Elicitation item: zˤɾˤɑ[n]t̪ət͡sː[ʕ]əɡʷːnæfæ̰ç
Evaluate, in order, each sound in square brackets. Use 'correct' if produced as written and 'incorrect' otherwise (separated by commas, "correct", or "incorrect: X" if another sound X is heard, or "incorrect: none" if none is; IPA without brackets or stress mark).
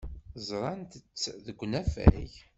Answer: correct, incorrect: ð